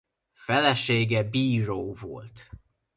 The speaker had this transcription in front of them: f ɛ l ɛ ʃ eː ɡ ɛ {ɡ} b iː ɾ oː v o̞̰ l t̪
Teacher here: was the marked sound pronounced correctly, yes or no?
no